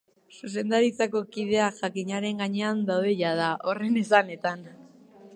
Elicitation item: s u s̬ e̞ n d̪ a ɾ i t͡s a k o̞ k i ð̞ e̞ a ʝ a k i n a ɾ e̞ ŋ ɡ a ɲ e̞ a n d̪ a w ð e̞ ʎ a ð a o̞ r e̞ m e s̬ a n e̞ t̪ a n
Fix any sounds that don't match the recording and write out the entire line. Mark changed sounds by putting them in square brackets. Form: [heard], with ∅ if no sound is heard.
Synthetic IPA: s u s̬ e̞ n d̪ a ɾ i t͡s a k o̞ k i ð̞ e̞ a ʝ a k i [ɲ] a ɾ e̞ ŋ ɡ a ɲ e̞ a n d̪ a w ð e̞ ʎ a ð a o̞ r e̞ [n] e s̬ a n e̞ t̪ a n